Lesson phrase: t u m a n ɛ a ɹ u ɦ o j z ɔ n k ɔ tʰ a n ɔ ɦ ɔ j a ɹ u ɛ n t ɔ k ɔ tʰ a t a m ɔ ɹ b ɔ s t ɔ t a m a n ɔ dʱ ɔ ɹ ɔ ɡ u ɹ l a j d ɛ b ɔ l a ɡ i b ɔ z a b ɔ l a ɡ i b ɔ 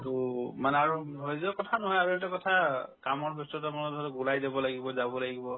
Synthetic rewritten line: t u m a n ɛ a ɹ u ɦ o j z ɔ k ɔ tʰ a n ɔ ɦ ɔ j a ɹ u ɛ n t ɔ k ɔ tʰ a k a m ɔ ɹ b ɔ s t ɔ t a m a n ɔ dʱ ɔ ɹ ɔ ɡ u l a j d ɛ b ɔ l a ɡ i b ɔ z a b ɔ l a ɡ i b ɔ